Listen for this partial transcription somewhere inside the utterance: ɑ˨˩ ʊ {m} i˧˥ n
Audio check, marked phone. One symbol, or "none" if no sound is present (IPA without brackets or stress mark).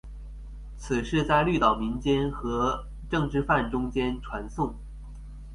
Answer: m